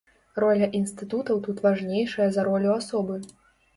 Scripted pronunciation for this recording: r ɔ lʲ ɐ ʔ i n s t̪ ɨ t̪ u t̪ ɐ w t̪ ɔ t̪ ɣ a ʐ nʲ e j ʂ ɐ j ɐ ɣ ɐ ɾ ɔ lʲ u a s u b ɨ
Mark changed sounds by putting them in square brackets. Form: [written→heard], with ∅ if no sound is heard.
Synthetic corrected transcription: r ɔ lʲ ɐ ʔ i n s t̪ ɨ t̪ u t̪ ɐ w t̪ [ɔ→u] t̪ [ɣ→v] a ʐ nʲ e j ʂ ɐ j ɐ [ɣ→z] ɐ ɾ ɔ lʲ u a s [u→ɔ] b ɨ